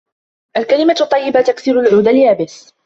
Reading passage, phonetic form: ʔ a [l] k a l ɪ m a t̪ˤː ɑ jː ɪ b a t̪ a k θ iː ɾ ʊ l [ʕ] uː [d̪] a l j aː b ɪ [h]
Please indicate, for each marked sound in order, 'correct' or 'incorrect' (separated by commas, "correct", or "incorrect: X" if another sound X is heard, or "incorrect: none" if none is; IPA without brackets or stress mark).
correct, correct, correct, incorrect: s